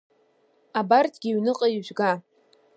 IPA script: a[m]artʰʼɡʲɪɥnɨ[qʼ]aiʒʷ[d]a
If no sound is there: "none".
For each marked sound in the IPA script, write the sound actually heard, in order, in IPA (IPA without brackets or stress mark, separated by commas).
b, qʼ, ɡ